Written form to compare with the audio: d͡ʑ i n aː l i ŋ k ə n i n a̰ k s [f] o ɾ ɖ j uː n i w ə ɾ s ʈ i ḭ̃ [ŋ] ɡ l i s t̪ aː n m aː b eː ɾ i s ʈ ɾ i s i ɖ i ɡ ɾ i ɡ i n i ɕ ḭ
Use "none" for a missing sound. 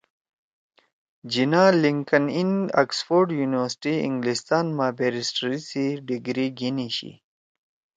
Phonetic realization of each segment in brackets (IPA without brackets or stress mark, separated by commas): f, ŋ